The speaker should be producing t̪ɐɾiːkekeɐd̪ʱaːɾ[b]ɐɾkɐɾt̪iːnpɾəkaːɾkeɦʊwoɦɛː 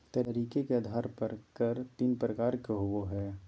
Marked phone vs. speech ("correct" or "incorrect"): incorrect